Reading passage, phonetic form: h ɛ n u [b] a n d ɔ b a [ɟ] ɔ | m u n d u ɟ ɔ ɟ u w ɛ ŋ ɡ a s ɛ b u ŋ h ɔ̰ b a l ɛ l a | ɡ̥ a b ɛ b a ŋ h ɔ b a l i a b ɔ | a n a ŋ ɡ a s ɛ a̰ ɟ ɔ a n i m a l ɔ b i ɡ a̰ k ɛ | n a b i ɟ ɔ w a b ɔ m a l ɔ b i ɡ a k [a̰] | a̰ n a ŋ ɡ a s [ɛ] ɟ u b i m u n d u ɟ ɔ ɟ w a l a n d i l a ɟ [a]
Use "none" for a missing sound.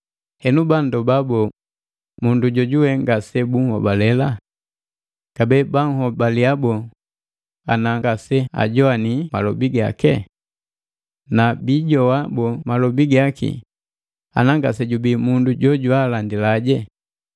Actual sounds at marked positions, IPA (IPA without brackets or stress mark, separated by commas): b, b, ḭ, ɛ, ɛ